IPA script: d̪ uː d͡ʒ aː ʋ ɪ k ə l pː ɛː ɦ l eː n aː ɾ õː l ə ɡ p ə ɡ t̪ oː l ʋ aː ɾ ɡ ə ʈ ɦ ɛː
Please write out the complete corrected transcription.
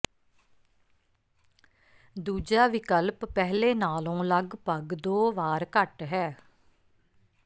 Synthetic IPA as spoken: d̪ uː d͡ʒ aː ʋ ɪ k ə l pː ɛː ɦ l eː n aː l õː l ə ɡ p ə ɡ d̪ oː ʋ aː ɾ k ə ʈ ɦ ɛː